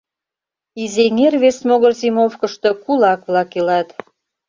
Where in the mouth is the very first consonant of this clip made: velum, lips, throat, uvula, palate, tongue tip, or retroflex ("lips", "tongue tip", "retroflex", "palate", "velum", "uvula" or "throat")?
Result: tongue tip